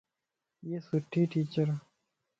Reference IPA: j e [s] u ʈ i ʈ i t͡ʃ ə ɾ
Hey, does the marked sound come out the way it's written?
yes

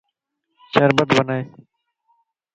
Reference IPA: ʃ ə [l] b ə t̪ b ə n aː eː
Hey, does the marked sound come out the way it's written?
no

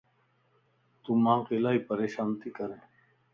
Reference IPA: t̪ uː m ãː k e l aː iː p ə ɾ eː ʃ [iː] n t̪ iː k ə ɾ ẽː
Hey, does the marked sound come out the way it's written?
no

